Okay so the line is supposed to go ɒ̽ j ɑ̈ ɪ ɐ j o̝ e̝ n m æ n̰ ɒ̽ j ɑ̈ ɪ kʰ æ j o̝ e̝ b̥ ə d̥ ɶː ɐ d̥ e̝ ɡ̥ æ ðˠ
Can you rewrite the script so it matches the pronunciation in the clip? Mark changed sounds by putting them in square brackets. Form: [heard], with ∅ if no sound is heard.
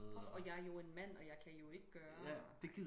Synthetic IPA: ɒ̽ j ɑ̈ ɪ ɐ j o̝ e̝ n m æ n̰ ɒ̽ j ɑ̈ ɪ kʰ æ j o̝ e̝ [ɡ̥] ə [ɡ̥] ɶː ɐ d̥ e̝ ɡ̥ [i] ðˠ